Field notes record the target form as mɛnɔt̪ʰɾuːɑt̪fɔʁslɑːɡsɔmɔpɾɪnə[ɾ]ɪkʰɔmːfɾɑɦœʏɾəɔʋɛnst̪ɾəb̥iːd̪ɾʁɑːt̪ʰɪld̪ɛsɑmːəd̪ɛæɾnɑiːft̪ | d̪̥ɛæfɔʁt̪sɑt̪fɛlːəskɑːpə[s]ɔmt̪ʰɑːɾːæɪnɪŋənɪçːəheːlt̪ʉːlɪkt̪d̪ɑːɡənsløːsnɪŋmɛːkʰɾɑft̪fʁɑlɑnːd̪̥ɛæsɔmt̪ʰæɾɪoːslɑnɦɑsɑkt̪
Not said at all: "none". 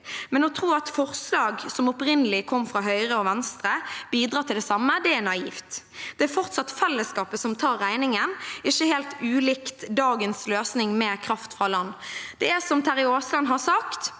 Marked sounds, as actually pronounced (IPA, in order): l, s

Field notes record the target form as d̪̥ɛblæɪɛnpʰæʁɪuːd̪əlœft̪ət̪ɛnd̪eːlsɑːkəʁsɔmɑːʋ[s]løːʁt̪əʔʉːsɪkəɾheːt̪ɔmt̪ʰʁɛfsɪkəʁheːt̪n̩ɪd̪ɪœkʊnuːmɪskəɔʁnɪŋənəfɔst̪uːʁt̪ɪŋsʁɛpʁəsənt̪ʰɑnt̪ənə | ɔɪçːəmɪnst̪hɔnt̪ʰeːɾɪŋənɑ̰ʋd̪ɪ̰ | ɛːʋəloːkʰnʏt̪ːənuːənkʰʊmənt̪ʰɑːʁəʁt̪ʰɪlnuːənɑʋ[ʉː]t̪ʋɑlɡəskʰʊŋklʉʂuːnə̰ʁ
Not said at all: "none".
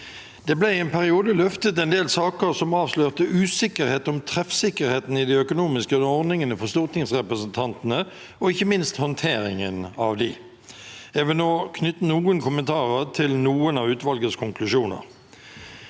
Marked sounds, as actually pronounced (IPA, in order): s, ʉː

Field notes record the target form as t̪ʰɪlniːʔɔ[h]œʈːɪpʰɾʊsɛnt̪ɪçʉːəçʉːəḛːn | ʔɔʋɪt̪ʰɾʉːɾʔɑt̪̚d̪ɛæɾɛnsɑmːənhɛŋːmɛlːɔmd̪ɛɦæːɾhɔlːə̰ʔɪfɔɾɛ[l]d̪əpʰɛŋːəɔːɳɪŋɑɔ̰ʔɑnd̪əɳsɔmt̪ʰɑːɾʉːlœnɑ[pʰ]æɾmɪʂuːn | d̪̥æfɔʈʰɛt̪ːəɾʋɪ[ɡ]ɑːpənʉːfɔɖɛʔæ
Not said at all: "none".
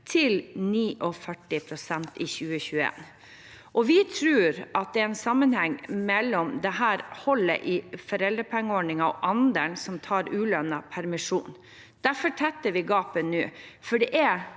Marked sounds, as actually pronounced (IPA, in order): f, l, pʰ, ɡ

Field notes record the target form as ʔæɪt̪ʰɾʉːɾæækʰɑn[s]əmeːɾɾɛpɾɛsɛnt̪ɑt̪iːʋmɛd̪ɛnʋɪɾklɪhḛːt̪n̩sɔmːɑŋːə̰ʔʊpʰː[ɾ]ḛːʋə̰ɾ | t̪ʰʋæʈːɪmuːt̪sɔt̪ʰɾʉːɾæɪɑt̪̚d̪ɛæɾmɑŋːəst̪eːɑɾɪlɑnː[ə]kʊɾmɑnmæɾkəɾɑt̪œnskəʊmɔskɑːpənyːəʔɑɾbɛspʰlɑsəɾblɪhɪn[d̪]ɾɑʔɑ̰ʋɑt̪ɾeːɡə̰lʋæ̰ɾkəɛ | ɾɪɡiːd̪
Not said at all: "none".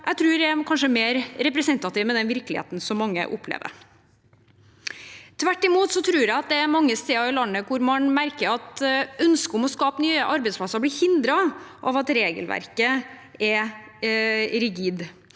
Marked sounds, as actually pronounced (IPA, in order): ʂ, l, ə, d̪

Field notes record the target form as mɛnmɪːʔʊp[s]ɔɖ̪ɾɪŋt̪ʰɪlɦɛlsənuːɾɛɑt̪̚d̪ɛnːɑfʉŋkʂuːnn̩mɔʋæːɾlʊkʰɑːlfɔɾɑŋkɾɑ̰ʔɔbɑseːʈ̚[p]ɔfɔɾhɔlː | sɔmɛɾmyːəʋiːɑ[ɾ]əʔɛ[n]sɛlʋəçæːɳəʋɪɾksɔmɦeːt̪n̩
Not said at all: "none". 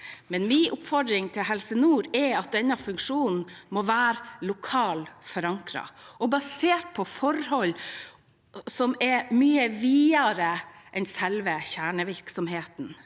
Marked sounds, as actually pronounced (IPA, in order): f, pʰ, ɾ, n

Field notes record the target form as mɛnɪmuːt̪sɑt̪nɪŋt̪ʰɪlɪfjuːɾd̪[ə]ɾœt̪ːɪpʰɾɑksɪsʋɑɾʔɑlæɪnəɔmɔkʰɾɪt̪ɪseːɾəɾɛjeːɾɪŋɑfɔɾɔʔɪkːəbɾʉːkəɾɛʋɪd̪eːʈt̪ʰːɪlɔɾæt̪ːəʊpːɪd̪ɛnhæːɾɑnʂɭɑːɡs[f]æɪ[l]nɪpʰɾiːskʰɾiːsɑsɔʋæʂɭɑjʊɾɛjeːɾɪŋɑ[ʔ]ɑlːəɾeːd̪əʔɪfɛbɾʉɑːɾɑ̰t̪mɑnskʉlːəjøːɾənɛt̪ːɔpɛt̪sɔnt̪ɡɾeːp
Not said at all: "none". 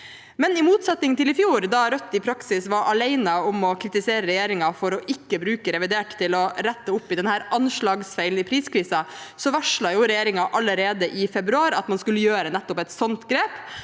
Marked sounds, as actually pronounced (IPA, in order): ɑ, f, l, ʔ

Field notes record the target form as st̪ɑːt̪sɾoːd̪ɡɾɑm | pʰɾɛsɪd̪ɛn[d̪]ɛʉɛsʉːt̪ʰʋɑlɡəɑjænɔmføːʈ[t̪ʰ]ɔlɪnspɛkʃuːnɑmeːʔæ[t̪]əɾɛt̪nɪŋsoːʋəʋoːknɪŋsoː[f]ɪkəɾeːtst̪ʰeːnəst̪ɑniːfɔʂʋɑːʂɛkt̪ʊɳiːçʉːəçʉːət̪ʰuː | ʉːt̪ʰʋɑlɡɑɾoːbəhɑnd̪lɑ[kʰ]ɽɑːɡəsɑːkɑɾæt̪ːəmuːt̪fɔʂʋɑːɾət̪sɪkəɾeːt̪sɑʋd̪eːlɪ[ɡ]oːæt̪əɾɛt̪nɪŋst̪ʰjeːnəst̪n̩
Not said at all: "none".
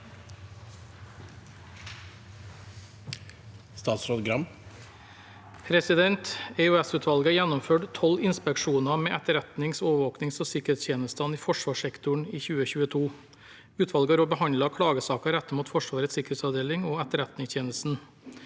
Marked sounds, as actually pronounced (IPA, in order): t̪, t̪ʰ, t̪, s, kʰ, ŋ

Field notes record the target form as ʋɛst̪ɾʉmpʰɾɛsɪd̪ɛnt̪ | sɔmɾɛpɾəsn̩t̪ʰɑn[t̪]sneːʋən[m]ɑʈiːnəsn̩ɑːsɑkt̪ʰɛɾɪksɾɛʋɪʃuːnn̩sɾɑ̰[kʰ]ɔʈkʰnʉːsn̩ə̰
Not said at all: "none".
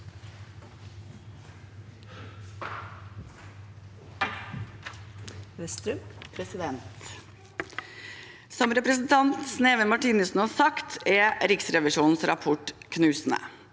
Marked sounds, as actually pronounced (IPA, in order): t̪, m, pʰ

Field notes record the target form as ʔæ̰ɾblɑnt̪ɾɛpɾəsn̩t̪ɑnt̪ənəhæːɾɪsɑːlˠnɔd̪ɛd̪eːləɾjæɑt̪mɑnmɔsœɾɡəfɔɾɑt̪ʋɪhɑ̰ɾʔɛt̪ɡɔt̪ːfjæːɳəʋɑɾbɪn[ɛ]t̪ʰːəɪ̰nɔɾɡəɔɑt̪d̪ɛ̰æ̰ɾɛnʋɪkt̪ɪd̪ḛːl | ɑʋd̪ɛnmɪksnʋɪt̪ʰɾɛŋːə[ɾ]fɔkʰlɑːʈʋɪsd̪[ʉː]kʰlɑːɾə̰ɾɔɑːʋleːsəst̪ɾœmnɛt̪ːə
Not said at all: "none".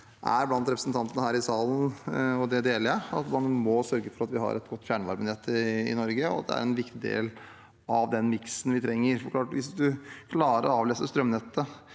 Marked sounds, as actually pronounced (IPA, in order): ɛ, ɾ, ʉ

